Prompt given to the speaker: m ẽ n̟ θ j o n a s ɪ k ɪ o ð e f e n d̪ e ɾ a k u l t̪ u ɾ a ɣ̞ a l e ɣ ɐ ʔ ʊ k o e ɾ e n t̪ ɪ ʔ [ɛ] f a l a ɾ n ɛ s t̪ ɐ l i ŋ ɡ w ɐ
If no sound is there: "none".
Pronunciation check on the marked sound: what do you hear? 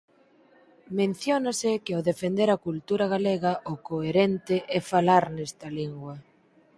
ɛ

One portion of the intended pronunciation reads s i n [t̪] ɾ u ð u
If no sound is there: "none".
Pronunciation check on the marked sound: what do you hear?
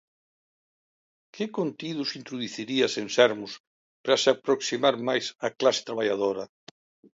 t̪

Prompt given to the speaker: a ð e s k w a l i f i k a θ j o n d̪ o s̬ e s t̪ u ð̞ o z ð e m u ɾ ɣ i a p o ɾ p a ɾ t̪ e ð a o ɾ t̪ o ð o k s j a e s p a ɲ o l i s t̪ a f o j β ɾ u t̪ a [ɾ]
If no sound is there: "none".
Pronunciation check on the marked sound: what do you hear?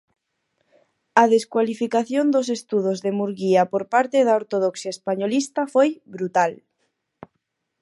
l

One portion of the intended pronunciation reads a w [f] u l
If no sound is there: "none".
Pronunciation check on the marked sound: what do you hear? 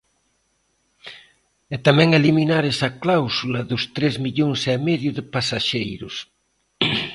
s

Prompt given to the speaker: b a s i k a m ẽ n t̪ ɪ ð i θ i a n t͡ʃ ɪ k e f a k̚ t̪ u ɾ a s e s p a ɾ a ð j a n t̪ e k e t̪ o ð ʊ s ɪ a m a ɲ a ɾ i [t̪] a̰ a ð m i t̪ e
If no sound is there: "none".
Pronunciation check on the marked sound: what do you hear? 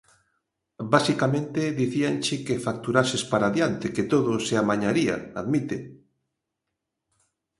none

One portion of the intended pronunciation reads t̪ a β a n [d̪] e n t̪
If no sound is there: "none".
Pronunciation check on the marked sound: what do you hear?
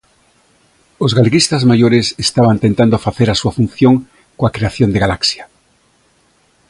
t̪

